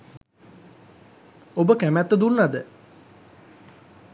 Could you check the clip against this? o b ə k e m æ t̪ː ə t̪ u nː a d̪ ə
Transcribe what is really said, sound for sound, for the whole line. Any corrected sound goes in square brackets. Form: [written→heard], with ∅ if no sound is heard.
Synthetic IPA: o b ə k [e→æ] m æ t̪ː ə [t̪→d̪] u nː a d̪ ə